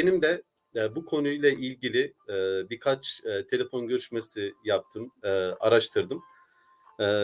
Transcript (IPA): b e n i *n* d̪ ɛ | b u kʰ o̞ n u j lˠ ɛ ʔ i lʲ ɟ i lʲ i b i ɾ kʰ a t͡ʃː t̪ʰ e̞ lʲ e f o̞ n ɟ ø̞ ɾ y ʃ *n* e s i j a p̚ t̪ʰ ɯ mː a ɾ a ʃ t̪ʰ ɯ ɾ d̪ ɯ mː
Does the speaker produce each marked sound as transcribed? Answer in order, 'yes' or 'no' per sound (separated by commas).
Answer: no, no